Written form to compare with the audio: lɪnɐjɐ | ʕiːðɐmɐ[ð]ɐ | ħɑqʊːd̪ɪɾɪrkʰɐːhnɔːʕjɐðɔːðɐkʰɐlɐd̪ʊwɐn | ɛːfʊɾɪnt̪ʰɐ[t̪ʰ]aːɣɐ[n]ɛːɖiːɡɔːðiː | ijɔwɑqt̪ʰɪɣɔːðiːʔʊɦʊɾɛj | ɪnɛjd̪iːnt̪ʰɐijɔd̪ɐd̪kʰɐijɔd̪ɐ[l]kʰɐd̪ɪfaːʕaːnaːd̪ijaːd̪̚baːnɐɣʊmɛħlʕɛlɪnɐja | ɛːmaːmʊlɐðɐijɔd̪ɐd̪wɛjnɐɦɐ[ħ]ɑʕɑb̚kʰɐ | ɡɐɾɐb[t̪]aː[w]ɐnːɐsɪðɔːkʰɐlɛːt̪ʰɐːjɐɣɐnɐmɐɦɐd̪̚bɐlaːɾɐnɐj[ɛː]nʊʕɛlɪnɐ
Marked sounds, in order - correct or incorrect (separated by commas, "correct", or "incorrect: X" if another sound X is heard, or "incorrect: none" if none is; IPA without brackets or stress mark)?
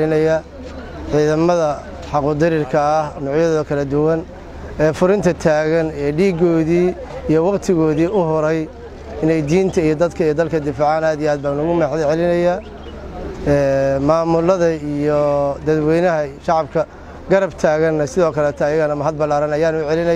correct, correct, correct, correct, incorrect: ʃ, incorrect: t̪ʰ, incorrect: ɣ, incorrect: aː